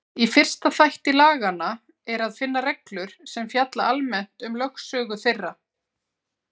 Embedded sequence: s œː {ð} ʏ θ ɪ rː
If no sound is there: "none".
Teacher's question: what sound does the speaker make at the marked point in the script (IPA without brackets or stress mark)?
ɣ